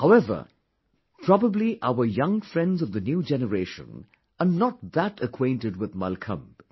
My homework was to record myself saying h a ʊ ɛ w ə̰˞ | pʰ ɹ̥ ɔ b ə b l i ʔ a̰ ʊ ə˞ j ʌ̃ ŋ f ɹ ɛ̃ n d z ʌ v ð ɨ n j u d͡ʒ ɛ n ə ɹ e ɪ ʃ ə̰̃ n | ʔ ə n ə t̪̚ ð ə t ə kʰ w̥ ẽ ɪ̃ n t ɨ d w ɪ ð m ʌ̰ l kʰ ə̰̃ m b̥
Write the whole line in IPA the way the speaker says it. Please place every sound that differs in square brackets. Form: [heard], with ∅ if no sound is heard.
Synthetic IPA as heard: h a ʊ ɛ [v] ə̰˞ | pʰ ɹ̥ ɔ b ə b l i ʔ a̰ ʊ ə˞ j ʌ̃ ŋ f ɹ ɛ̃ n d z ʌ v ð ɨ n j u d͡ʒ ɛ n ə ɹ e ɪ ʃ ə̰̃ n | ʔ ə n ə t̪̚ ð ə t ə kʰ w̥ ẽ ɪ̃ n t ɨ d w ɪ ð m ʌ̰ l kʰ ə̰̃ m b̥